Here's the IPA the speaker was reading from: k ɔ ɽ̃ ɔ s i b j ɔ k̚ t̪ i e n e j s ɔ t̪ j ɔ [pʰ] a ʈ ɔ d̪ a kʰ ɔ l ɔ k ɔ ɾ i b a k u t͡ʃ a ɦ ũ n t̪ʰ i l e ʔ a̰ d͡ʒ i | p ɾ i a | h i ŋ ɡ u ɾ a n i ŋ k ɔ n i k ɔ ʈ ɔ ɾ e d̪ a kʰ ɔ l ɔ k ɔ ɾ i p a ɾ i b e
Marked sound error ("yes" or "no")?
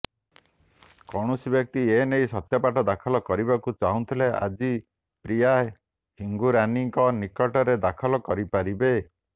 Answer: yes